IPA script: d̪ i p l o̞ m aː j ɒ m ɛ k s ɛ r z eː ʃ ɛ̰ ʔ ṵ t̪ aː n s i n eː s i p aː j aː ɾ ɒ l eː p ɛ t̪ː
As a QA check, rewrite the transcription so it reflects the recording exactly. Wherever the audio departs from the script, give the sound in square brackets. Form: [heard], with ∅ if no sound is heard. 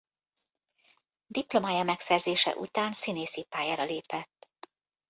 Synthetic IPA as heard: d̪ i p l o̞ m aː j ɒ m ɛ k s ɛ r z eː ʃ ɛ̰ ʔ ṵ t̪ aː n s i n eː s i p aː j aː ɾ ɒ l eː p ɛ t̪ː